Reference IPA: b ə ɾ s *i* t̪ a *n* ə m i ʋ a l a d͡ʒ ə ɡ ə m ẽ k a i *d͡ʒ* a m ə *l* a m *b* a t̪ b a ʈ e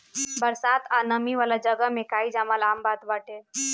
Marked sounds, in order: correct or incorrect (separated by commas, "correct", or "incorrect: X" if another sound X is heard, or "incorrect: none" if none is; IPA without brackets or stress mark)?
incorrect: a, correct, correct, correct, correct